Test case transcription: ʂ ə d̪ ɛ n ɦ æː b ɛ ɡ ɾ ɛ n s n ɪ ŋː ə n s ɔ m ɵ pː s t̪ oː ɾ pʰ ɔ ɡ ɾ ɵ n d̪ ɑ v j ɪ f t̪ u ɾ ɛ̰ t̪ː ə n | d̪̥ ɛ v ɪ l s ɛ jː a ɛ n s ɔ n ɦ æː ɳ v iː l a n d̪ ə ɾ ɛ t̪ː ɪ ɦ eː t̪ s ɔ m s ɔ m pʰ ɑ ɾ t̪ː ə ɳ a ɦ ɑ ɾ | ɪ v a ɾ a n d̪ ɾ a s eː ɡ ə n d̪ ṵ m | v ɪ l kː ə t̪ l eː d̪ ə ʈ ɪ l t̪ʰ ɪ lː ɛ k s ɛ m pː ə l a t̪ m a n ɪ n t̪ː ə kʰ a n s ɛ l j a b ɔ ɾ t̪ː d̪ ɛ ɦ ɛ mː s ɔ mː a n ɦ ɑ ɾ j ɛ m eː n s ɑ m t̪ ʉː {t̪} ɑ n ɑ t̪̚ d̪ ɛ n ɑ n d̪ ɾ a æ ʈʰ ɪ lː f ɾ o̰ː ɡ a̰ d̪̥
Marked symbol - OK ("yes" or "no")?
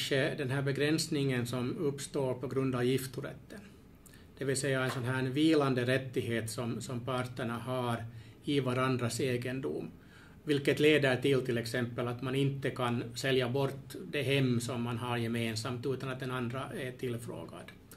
yes